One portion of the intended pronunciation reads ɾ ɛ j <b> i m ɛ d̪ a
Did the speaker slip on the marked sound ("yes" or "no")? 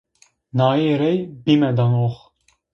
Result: no